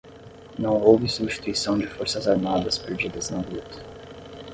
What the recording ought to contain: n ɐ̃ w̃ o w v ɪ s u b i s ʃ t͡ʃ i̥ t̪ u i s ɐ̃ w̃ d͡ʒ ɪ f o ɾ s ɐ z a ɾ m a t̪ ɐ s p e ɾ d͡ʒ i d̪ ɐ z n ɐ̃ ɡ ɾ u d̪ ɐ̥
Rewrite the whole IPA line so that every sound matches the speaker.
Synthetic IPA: n ɐ̃ w̃ o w v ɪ s u b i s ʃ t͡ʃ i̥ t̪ u i s ɐ̃ w̃ d͡ʒ ɪ f o ɾ s ɐ z a ɾ m a d̪ ɐ s p e ɾ d͡ʒ i d̪ ɐ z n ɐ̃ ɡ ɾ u t̪ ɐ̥